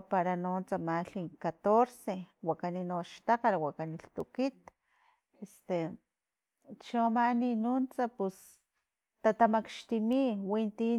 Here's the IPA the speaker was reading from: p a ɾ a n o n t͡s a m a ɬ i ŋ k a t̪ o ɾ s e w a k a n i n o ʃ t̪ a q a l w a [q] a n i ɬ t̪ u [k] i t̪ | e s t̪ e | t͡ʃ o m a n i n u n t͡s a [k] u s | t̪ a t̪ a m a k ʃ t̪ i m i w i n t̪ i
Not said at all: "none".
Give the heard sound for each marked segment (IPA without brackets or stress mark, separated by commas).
k, k, p